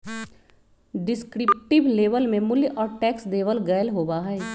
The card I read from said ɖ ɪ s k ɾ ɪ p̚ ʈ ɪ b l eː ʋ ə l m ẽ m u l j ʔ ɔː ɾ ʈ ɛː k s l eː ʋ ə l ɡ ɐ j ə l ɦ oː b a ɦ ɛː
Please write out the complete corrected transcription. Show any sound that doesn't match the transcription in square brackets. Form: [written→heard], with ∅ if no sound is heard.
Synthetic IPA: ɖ ɪ s k ɾ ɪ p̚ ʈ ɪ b l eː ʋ ə l m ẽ m [u→ʊ] l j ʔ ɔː ɾ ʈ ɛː k s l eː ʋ ə l ɡ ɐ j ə l ɦ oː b a ɦ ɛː